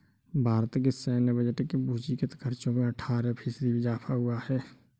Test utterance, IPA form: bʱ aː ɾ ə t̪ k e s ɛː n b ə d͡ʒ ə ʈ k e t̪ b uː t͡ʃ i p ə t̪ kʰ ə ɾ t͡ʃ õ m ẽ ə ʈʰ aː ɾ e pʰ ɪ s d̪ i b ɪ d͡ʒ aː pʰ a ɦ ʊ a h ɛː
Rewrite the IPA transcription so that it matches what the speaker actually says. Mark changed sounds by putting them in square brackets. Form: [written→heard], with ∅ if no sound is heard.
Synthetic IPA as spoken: bʱ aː ɾ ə t̪ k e s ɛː n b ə d͡ʒ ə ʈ k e [t̪→∅] b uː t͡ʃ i [p→k] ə t̪ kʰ ə ɾ t͡ʃ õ m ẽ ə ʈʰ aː ɾ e pʰ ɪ s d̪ i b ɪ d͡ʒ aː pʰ a ɦ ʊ a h ɛː